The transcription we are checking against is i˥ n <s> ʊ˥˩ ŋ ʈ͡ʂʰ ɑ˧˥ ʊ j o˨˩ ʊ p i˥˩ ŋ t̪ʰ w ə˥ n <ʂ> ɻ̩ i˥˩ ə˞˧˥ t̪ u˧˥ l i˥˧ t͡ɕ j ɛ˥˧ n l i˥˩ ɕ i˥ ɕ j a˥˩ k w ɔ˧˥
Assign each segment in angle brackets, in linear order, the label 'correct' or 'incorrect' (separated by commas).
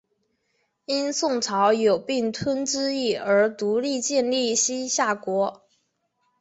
correct, incorrect